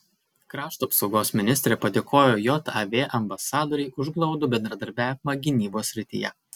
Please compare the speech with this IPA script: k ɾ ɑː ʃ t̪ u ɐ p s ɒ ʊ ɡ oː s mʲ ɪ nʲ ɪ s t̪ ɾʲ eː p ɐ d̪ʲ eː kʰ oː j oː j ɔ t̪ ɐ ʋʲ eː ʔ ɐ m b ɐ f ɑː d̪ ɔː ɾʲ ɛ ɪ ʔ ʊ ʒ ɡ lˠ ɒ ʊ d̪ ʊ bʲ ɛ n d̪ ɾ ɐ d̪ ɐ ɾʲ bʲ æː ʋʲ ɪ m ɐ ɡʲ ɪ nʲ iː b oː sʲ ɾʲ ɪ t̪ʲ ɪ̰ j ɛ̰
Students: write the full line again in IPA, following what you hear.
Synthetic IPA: k ɾ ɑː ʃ t̪ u ɐ p s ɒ ʊ ɡ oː s mʲ ɪ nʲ ɪ s t̪ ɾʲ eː p ɐ d̪ʲ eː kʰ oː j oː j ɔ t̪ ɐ ʋʲ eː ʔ ɐ m b ɐ s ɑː d̪ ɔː ɾʲ ɛ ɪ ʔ ʊ ʒ ɡ lˠ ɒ ʊ d̪ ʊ bʲ ɛ n d̪ ɾ ɐ d̪ ɐ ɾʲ bʲ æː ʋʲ ɪ m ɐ ɡʲ ɪ nʲ iː b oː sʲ ɾʲ ɪ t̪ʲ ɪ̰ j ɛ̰